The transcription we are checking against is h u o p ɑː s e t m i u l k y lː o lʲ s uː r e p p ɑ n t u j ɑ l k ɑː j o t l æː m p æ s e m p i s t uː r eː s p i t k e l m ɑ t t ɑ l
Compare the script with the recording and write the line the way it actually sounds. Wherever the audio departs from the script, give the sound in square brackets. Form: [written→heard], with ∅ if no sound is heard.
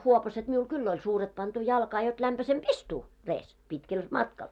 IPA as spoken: h u o p [ɑː→ɑ] s e t m i u l k y lː o lʲ s uː r e [p→t] p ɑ n t u j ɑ l k ɑː j o t l [æː→æ] m p æ s e m p i s t uː r eː s p i t k e l m ɑ t [t→k] ɑ l